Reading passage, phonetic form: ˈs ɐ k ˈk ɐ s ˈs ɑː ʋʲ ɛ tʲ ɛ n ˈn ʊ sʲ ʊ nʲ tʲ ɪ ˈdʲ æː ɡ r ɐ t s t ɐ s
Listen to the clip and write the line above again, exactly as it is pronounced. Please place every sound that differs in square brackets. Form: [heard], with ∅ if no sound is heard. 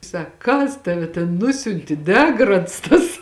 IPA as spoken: ˈs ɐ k ˈk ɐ s [ˈt] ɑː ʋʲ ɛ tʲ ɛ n ˈn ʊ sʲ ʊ nʲ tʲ ɪ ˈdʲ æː ɡ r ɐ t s t ɐ s